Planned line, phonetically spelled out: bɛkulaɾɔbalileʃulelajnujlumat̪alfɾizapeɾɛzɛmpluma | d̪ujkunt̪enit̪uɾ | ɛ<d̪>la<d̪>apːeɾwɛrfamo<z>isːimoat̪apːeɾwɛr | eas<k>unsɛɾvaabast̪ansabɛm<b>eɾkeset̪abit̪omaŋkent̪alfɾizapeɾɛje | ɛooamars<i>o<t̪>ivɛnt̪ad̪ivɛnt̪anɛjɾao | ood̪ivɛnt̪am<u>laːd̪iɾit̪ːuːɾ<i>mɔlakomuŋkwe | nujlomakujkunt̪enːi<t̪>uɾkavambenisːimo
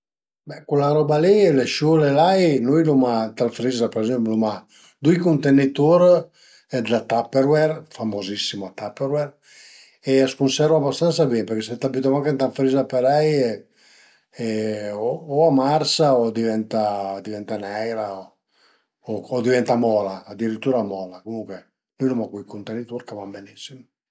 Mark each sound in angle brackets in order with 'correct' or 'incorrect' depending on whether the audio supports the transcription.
correct, incorrect: t̪, correct, correct, incorrect: p, incorrect: a, incorrect: d̪, incorrect: ɔ, incorrect: a, correct

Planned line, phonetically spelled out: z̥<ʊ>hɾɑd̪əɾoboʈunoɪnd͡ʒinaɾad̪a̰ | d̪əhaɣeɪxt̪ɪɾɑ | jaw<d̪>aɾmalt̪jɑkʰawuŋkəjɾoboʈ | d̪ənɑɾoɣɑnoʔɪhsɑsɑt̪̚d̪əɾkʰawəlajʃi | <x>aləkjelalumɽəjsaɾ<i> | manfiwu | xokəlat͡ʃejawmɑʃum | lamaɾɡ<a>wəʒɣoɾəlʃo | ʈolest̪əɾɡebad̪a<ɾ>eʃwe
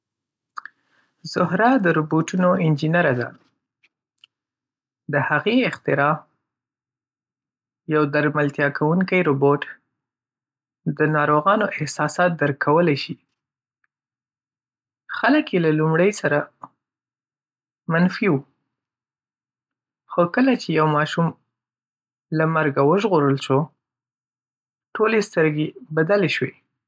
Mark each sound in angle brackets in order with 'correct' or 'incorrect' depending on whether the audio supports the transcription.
correct, correct, correct, incorrect: a, correct, incorrect: l

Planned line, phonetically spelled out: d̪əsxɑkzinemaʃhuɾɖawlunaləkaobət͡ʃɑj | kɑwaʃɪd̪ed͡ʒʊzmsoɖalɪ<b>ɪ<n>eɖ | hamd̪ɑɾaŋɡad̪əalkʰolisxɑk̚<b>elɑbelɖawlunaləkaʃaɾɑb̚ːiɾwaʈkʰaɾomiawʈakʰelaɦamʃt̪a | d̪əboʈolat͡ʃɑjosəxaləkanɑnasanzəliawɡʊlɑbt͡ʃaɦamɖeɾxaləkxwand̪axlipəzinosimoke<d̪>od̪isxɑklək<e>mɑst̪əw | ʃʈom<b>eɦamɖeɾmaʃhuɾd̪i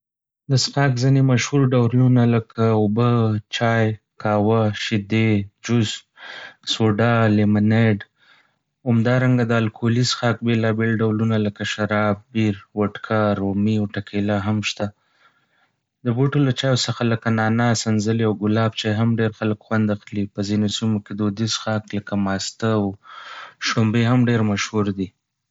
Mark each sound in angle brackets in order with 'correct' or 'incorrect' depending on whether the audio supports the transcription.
incorrect: m, correct, correct, correct, incorrect: a, correct

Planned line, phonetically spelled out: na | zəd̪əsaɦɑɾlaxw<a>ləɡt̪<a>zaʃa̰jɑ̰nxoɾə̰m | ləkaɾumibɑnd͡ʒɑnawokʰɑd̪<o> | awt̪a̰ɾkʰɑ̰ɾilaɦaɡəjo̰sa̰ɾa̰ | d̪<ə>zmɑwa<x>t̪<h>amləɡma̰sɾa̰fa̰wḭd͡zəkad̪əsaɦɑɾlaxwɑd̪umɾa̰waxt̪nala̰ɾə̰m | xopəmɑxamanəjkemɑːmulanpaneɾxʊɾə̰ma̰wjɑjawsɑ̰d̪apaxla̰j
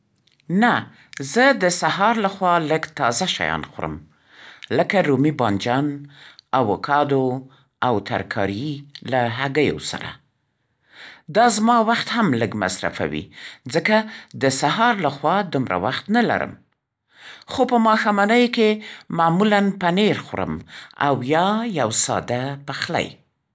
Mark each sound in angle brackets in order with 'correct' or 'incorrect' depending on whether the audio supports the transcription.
incorrect: ɑ, incorrect: ɑ, correct, incorrect: ɑ, correct, correct

